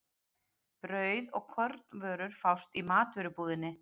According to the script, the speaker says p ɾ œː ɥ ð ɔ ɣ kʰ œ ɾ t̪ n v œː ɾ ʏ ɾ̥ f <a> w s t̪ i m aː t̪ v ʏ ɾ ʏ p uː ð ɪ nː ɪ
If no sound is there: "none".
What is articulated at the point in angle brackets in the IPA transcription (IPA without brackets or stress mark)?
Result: a